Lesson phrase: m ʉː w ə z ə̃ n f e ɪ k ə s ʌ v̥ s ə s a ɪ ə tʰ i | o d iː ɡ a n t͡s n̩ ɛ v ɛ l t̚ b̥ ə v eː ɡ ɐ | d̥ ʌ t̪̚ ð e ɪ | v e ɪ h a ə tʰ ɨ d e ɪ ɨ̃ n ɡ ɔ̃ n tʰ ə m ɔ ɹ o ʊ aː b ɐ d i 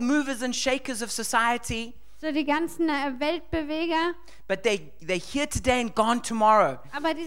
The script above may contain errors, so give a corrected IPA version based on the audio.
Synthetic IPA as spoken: m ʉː v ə z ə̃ n ʃ e ɪ k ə z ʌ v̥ s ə s a ɪ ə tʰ i | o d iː ɡ a n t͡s n̩ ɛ v ɛ l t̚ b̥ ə v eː ɡ ɐ | b̥ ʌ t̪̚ ð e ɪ | ð e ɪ h i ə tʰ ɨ d e ɪ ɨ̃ n ɡ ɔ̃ n tʰ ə m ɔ ɹ o ʊ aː b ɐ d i